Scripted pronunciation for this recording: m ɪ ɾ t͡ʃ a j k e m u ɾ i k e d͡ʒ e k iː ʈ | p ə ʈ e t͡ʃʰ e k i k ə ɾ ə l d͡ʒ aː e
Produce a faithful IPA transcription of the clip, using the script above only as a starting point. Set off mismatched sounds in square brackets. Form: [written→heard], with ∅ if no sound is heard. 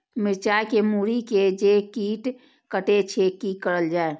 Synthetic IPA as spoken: m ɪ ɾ t͡ʃ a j k e m u ɾ i k e d͡ʒ e k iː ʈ | [p→k] ə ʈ e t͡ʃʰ e k i k ə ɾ ə l d͡ʒ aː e